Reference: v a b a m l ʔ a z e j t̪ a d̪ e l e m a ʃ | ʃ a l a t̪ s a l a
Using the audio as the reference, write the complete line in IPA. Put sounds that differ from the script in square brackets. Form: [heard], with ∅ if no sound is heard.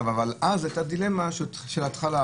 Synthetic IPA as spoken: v a [v] a [∅] l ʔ a z [a] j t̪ a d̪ [i] l e m a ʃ | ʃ [e] l a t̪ [χ] a l a